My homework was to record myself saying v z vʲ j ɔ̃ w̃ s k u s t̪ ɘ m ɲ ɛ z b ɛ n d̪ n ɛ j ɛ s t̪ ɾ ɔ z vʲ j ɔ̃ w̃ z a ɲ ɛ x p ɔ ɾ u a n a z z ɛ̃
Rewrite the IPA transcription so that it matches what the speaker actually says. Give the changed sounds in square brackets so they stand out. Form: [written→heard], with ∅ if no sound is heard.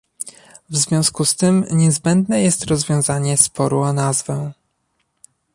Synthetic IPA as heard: v z vʲ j ɔ̃ w̃ s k u s t̪ ɘ m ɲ ɛ z b ɛ n d̪ n ɛ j ɛ s t̪ ɾ ɔ z vʲ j ɔ̃ w̃ z a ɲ ɛ [x→s] p ɔ ɾ u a n a z [z→v] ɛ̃